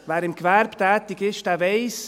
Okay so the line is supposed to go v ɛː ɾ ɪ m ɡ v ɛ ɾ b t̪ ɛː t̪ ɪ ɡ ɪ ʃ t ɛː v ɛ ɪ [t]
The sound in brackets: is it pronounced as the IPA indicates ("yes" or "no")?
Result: no